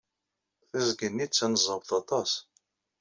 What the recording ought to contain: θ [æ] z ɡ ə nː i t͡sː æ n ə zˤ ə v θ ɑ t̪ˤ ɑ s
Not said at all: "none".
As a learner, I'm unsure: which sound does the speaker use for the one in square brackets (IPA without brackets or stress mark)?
æ